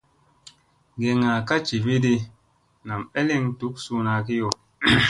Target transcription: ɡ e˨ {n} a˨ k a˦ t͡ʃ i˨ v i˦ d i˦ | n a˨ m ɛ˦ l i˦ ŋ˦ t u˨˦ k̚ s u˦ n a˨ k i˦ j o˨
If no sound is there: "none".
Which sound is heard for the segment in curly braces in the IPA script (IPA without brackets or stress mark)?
ŋ